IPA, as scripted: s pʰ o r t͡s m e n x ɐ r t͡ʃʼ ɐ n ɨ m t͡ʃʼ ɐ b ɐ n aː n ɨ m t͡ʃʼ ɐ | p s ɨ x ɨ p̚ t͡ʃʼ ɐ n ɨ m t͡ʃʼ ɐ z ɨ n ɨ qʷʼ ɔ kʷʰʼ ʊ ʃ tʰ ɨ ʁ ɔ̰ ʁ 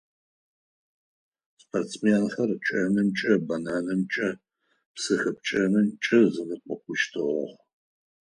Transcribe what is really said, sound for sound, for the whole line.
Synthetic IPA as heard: s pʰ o r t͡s m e n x ɐ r t͡ʃʼ ɐ n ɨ m t͡ʃʼ ɐ b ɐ n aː n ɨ m t͡ʃʼ ɐ | p s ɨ x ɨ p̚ t͡ʃʼ ɐ n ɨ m t͡ʃʼ ɐ z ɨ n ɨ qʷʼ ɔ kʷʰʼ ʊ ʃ tʰ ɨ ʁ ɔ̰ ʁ